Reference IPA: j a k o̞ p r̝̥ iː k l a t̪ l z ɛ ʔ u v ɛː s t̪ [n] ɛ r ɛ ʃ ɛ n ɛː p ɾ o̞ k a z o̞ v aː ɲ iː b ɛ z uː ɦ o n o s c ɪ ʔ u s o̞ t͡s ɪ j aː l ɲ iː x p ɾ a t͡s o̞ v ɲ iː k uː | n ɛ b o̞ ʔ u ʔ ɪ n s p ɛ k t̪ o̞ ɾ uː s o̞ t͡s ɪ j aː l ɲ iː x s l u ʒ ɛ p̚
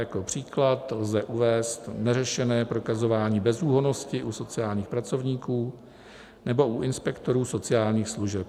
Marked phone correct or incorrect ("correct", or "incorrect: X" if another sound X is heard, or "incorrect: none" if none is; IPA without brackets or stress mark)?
correct